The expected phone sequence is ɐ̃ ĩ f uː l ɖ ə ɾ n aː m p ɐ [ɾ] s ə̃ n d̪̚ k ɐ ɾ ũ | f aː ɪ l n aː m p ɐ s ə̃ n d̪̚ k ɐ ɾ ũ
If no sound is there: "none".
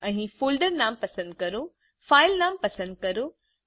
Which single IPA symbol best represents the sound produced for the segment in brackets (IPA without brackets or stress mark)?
none